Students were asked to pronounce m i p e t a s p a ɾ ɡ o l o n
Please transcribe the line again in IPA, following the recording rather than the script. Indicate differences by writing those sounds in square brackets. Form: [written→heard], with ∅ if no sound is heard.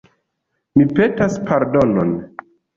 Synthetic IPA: m i p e t a s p a ɾ [ɡ→d] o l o n